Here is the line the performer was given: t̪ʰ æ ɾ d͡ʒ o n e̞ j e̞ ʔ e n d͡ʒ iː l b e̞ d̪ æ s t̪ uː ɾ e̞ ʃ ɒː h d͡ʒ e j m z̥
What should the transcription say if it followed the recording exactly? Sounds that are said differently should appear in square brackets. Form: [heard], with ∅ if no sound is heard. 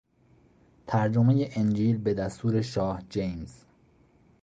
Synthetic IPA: t̪ʰ æ ɾ d͡ʒ o [m] e̞ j e̞ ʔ e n d͡ʒ iː l b e̞ d̪ æ s t̪ uː ɾ e̞ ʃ ɒː h d͡ʒ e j m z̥